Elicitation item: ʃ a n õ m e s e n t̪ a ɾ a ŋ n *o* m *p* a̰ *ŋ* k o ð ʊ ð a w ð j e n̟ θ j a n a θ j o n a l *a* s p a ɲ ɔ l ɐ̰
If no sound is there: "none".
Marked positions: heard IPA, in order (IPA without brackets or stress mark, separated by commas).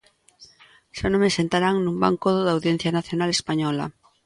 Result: u, b, ŋ, e